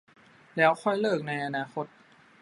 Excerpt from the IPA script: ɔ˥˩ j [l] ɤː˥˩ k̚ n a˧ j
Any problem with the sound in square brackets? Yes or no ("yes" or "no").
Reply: no